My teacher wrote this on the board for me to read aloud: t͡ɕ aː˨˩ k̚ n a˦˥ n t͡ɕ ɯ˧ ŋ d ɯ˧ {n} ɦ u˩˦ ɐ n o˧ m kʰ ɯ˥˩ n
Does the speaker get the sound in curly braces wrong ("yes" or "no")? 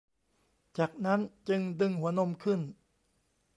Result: yes